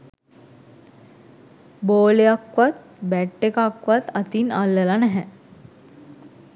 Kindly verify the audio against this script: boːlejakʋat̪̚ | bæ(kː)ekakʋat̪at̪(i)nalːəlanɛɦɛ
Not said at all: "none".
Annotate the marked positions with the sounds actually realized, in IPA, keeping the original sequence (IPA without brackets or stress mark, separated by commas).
ʈː, i